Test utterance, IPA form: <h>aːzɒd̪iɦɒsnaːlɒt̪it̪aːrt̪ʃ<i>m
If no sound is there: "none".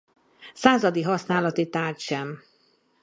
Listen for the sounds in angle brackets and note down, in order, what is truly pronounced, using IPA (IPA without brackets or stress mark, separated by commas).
s, ɛ